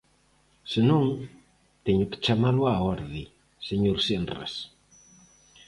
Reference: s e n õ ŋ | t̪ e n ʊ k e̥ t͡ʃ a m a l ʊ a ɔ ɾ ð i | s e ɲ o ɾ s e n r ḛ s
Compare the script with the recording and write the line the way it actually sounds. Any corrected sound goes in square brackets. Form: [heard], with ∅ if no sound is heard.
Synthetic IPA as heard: s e n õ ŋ | t̪ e [ɲ] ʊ k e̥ t͡ʃ a m a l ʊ a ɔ ɾ ð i | s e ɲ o ɾ s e n r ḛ s